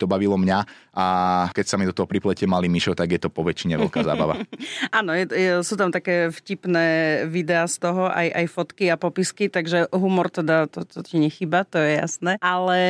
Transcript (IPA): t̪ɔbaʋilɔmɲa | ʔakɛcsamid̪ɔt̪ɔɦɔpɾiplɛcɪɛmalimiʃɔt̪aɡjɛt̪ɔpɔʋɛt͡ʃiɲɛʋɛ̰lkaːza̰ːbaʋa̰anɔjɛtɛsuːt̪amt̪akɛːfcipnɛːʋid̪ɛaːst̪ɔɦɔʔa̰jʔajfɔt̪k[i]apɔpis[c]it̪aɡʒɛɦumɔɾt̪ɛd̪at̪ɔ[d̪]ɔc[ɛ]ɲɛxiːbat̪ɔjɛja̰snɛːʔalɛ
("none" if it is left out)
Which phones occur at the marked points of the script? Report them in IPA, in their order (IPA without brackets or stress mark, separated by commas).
i, k, t̪, i